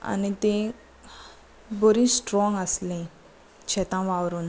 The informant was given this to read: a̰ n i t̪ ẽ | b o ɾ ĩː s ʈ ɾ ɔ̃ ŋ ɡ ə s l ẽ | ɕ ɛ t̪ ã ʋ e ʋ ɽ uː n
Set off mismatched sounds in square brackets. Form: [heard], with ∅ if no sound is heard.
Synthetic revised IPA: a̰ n i t̪ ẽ | b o ɾ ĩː s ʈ ɾ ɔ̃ ŋ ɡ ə s l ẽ | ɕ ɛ t̪ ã ʋ [a] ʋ [ɾ] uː n